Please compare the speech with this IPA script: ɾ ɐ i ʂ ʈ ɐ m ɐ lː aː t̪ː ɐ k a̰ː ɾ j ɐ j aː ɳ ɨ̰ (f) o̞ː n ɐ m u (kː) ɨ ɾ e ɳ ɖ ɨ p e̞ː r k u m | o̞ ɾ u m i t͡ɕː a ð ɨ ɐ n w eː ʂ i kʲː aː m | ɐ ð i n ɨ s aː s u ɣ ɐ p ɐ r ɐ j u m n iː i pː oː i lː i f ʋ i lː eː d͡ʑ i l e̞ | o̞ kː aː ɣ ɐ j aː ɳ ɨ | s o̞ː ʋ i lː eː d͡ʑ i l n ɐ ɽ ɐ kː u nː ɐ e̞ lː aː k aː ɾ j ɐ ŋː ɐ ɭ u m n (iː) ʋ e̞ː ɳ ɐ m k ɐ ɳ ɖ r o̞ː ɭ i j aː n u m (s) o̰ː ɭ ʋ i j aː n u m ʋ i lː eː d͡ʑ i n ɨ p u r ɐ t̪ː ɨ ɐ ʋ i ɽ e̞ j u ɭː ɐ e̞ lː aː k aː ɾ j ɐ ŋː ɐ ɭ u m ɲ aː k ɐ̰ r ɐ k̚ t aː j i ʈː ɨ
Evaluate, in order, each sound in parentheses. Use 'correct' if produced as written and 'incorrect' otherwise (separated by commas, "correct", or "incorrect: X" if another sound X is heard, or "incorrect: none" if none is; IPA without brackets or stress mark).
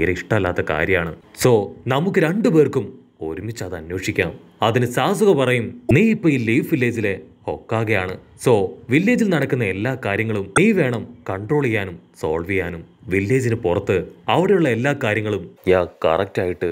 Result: incorrect: s, correct, correct, correct